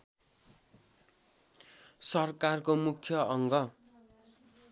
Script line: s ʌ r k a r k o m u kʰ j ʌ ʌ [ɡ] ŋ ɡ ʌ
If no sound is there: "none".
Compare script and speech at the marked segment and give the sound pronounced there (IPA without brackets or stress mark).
none